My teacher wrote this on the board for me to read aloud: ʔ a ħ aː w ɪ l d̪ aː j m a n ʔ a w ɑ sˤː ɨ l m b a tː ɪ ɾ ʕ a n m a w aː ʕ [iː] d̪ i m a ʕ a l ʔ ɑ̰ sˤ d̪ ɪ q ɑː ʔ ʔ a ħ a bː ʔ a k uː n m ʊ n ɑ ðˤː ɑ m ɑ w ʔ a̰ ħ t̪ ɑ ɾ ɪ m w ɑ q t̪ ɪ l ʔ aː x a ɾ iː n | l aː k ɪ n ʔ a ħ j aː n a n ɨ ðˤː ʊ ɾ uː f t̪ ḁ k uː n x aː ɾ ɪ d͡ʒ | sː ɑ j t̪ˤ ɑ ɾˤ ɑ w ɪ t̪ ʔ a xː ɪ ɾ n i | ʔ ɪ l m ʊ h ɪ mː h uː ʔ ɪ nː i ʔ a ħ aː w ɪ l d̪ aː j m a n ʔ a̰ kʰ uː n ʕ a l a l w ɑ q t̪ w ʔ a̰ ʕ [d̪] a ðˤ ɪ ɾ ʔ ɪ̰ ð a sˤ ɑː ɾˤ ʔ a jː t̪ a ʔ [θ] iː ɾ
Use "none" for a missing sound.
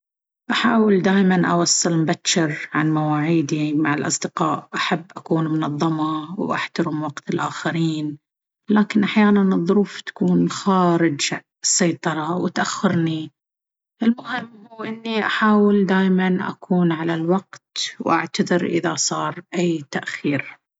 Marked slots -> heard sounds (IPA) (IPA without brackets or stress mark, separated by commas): iː, t̪, x